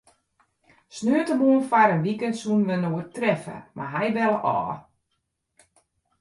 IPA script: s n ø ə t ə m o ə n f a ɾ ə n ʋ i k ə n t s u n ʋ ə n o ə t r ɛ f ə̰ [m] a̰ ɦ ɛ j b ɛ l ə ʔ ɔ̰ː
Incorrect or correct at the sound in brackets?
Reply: correct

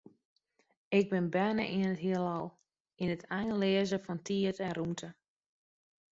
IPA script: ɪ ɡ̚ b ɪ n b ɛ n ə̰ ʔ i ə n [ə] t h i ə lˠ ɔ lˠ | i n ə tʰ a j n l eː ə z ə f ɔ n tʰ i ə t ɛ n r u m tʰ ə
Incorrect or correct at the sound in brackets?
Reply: correct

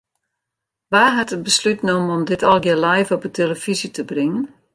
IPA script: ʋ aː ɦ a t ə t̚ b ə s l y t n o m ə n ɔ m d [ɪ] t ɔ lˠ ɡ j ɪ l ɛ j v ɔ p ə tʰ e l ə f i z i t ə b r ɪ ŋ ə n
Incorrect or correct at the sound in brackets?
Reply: correct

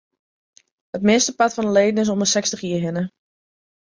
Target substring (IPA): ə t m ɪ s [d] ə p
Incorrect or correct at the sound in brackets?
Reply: incorrect: t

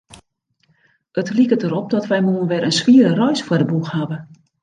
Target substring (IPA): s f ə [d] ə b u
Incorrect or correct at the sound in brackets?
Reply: correct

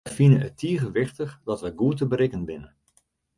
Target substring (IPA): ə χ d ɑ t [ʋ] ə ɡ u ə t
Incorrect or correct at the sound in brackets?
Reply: correct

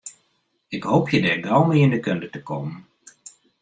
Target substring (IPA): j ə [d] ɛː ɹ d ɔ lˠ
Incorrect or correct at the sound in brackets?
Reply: correct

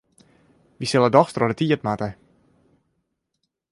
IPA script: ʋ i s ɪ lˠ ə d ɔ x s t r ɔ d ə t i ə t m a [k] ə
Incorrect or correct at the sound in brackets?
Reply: incorrect: t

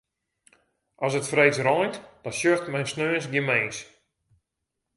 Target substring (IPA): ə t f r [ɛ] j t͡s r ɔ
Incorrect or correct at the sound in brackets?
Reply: incorrect: e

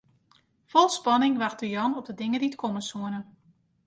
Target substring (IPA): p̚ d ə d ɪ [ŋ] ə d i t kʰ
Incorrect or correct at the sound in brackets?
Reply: correct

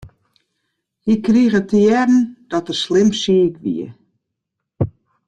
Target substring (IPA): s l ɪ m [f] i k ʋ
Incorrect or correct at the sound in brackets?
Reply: incorrect: s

